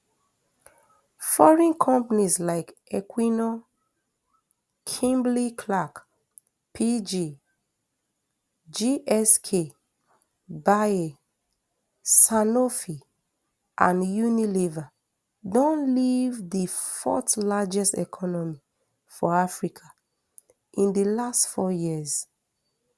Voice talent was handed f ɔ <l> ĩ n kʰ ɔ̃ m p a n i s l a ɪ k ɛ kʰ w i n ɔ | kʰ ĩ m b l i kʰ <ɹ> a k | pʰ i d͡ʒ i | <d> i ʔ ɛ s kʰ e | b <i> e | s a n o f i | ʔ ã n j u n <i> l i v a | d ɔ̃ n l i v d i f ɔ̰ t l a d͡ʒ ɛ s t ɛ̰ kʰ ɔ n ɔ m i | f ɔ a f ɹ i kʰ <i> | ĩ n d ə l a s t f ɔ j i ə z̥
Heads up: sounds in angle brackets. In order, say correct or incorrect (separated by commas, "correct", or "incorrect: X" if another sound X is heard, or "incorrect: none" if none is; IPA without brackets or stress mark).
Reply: incorrect: ɹ, incorrect: l, incorrect: d͡ʒ, incorrect: a, correct, incorrect: a